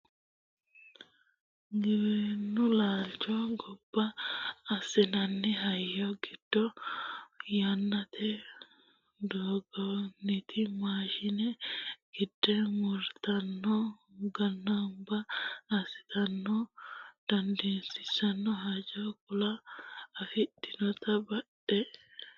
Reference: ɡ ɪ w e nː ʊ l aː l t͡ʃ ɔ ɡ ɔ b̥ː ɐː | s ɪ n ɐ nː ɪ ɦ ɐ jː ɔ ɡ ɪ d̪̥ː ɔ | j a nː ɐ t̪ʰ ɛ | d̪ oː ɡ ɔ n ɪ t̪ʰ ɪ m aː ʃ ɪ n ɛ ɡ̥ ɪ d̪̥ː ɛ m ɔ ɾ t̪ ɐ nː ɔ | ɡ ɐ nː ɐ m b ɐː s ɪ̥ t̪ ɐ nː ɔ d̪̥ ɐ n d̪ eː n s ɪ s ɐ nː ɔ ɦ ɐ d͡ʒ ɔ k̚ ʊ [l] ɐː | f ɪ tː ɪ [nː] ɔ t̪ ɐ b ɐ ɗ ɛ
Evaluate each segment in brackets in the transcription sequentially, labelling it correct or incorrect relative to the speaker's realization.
correct, incorrect

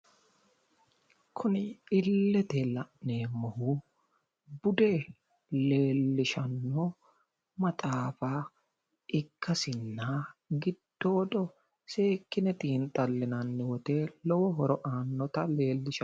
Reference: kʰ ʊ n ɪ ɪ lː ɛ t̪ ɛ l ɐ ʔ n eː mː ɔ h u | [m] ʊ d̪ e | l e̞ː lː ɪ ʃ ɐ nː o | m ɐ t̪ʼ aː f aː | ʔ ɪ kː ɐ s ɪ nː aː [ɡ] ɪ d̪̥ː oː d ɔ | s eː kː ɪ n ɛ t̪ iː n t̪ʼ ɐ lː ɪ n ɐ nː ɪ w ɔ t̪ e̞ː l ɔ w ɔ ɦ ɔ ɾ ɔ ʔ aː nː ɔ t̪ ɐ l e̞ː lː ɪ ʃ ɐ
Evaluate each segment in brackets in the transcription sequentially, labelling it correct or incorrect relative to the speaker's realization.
incorrect, correct

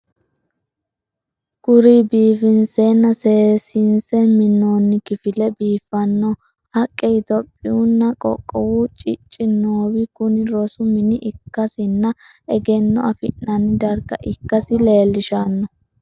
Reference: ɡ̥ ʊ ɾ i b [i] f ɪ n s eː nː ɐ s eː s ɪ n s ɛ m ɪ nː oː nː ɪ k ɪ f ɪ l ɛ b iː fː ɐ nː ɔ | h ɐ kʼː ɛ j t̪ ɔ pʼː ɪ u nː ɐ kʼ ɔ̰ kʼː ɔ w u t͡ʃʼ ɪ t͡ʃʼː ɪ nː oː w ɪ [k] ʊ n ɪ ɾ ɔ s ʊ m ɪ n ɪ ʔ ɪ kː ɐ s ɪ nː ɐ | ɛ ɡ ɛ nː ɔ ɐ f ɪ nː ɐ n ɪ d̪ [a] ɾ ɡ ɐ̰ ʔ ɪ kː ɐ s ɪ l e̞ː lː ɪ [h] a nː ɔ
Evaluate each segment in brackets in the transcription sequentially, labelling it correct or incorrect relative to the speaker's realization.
incorrect, correct, incorrect, incorrect

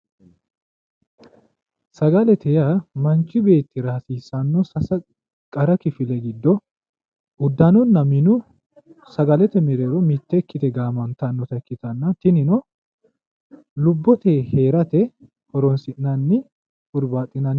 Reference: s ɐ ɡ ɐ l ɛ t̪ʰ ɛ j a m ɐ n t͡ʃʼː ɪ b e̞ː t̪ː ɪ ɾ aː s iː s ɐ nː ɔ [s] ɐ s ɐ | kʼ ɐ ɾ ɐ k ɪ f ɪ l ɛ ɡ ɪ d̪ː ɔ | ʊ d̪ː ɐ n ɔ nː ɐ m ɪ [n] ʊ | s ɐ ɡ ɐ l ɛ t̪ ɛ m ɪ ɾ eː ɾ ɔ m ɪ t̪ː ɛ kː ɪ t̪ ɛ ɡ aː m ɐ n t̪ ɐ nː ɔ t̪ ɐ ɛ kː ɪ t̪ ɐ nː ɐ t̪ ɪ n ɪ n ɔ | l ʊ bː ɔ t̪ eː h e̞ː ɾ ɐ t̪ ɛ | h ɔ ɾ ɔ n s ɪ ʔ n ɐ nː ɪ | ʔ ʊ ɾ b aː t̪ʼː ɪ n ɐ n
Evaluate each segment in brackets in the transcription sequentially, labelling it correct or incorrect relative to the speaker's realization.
correct, correct

